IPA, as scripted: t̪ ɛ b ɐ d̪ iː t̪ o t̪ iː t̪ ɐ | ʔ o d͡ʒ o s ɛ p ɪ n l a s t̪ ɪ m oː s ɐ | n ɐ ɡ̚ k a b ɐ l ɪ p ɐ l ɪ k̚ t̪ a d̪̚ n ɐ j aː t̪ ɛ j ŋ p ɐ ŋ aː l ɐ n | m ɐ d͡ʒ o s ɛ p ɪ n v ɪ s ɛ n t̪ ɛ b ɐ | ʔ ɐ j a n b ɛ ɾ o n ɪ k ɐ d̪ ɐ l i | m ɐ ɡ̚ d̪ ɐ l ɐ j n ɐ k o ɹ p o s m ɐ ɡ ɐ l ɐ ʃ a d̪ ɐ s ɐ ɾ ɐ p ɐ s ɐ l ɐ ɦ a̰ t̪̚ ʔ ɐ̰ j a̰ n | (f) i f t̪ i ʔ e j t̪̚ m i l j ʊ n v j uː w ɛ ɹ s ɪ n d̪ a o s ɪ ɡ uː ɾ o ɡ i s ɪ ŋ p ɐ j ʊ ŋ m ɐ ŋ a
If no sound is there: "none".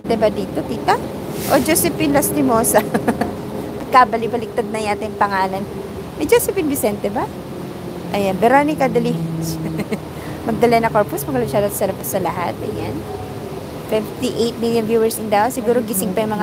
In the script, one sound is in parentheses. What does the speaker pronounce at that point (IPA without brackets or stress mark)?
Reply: f